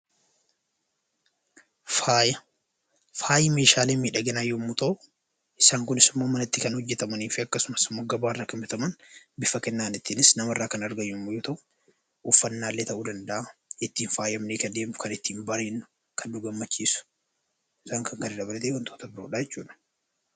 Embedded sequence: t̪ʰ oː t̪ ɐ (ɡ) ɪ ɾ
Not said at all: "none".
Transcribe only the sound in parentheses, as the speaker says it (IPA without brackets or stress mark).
b